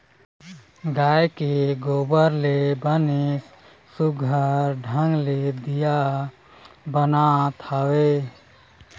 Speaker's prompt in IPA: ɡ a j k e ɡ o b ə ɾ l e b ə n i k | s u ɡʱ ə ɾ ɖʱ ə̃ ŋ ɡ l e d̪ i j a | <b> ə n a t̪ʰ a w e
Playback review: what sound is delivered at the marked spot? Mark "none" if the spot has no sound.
b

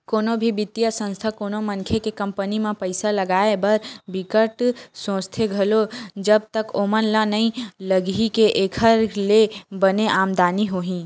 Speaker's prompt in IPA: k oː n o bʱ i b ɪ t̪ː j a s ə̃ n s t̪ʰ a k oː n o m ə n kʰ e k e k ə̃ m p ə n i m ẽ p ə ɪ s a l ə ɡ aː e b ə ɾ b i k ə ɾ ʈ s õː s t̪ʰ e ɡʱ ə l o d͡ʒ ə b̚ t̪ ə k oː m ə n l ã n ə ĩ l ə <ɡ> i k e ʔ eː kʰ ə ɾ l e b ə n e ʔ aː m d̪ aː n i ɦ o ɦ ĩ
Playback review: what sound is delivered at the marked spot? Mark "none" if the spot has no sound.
ɡ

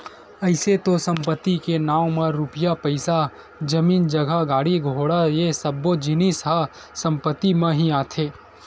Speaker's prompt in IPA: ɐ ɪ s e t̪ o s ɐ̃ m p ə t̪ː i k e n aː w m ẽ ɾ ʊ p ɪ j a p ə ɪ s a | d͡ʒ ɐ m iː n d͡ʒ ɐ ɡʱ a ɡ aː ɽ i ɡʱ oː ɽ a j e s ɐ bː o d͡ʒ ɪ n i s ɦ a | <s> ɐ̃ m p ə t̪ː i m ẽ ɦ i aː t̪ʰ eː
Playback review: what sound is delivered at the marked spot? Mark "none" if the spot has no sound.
s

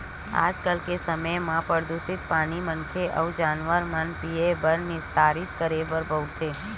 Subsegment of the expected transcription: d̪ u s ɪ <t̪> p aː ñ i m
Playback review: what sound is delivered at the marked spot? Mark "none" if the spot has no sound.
t̪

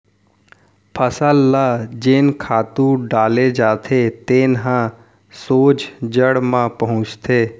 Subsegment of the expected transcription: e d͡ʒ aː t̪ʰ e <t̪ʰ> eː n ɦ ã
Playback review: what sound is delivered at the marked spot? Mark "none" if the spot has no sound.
t̪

